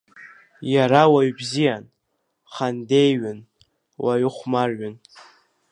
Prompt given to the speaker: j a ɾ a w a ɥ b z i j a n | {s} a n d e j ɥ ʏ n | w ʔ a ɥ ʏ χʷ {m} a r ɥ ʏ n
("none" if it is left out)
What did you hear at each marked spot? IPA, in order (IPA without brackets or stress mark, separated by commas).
χ, m